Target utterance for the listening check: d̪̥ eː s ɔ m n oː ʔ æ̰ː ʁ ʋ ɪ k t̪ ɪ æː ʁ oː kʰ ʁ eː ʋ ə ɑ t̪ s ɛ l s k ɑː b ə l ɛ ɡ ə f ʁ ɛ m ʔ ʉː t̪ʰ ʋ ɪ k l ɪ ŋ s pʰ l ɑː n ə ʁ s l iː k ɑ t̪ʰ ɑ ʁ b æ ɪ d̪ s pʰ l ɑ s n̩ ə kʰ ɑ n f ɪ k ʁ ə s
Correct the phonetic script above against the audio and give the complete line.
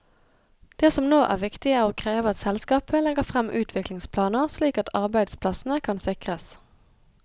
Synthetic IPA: d̪̥ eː s ɔ m n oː ʔ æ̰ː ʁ ʋ ɪ k t̪ ɪ æː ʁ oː kʰ ʁ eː ʋ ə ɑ t̪ s ɛ l s k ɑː p ə l ɛ ɡ ə f ʁ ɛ m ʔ ʉː t̪ʰ ʋ ɪ k l ɪ ŋ s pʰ l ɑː n ə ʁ s l iː k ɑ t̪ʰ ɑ ʁ b æ ɪ d̪ s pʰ l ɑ s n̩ ə kʰ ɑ n s ɪ k ʁ ə s